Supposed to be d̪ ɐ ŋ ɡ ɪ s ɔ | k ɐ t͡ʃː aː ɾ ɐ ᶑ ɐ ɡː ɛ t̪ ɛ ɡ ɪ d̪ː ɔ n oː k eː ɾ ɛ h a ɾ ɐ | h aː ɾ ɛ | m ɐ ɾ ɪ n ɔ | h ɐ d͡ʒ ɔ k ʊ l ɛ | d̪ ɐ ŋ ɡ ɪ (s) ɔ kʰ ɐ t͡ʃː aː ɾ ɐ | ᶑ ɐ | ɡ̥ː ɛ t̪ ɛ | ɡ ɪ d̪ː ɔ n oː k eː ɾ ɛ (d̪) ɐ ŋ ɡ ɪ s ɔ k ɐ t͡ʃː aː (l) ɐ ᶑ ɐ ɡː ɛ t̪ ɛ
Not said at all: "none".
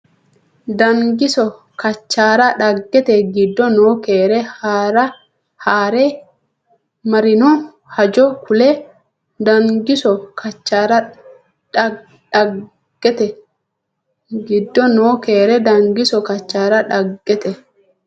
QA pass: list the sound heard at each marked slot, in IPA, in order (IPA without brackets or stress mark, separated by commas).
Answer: s, d̪, ɾ